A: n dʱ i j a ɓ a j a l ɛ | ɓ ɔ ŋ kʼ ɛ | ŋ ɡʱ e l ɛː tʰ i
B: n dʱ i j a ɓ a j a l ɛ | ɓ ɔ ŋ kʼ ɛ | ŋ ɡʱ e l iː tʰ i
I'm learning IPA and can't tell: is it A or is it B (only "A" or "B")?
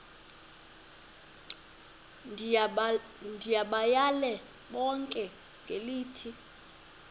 B